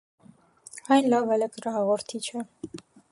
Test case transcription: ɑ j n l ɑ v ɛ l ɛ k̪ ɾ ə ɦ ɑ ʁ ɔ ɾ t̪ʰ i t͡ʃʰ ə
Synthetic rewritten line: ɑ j n l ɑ v ɛ l ɛ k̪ ɾ ɑ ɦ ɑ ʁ ɔ ɾ t̪ʰ i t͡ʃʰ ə